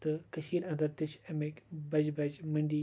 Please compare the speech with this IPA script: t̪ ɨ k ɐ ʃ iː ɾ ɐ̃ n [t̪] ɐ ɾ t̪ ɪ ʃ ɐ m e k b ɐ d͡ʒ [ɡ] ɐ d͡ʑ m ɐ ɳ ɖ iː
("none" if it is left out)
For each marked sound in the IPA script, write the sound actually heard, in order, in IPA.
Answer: d̪, b

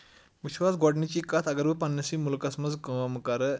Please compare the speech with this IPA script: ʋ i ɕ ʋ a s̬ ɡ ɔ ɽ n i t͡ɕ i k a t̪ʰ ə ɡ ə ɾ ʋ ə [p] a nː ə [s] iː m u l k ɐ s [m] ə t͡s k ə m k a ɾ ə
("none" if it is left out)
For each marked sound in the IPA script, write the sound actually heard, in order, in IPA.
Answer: p, s, m

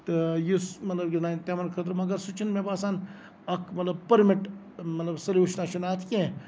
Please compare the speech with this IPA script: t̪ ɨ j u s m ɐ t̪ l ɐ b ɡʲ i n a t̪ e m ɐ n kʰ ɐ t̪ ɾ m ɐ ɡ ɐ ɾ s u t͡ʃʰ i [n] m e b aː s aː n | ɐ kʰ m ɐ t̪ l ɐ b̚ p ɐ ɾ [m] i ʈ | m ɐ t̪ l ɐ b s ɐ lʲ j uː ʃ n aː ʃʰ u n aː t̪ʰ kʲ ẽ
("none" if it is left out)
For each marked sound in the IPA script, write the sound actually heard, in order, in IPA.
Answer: n, m

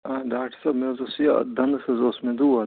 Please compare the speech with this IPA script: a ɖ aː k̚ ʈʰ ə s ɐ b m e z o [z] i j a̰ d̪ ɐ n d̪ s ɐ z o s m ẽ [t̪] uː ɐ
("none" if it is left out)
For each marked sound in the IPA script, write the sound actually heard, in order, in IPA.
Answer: s, d̪

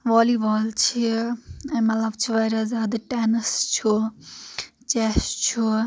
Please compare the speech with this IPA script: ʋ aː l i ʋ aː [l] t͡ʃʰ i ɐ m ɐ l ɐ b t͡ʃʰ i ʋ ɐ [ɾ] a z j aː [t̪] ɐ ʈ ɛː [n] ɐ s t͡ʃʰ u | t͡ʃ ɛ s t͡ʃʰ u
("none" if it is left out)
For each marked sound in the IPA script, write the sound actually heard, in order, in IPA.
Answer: l, ɾ, d̪, n

